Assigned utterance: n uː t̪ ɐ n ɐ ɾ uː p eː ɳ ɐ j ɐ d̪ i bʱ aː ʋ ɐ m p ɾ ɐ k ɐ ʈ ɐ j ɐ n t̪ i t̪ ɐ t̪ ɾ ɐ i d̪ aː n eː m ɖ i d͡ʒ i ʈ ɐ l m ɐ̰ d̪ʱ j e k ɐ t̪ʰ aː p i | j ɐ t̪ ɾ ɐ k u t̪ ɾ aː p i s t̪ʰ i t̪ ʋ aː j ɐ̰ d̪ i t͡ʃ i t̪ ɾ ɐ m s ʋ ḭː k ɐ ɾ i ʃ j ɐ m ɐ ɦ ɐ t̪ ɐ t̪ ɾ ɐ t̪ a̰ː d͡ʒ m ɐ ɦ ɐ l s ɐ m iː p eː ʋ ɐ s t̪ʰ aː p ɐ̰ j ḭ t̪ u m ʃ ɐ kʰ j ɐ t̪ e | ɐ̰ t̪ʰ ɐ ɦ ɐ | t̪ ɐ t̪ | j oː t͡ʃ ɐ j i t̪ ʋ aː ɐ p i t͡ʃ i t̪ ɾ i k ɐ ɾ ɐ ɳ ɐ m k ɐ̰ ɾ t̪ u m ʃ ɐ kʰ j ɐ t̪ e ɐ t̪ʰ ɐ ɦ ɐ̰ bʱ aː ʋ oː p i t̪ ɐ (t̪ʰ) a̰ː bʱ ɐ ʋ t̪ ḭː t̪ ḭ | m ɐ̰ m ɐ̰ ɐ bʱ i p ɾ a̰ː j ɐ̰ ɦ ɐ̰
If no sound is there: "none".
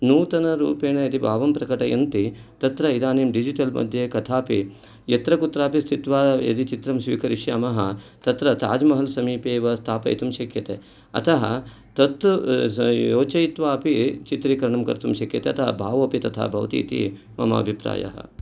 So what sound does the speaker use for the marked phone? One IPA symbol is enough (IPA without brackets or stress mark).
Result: t̪ʰ